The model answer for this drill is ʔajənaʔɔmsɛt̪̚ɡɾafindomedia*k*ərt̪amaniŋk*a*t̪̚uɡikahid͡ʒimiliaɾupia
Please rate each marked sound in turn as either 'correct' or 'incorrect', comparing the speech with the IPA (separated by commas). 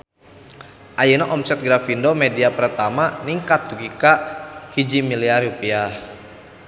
incorrect, correct